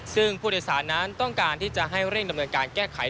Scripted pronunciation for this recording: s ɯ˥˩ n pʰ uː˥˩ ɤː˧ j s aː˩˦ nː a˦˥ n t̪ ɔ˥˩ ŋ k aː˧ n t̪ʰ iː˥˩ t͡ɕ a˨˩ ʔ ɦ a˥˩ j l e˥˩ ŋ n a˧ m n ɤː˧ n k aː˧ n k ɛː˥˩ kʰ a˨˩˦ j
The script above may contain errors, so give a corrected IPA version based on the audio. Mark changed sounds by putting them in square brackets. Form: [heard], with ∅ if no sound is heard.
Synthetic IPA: s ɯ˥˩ [ŋ] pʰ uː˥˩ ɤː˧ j s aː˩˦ nː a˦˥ n t̪ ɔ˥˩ ŋ k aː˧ n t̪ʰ iː˥˩ t͡ɕ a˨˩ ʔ ɦ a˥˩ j [ɾ] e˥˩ ŋ [d] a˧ m n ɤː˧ n k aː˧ n k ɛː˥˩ kʰ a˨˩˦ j